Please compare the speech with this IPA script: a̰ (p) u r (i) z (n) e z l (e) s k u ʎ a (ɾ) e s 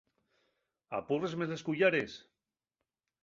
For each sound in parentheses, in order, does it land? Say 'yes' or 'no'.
yes, no, no, yes, yes

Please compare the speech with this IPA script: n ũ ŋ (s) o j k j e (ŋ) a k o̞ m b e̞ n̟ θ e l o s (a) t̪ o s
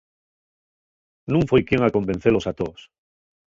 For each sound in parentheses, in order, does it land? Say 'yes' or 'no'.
no, yes, yes

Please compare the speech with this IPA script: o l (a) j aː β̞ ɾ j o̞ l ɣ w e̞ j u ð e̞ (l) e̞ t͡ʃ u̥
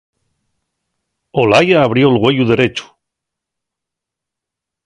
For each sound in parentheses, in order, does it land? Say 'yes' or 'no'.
yes, no

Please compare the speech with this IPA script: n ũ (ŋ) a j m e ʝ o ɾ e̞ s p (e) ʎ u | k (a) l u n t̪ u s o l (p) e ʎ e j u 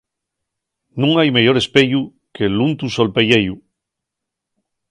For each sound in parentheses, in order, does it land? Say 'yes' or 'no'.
yes, yes, no, yes

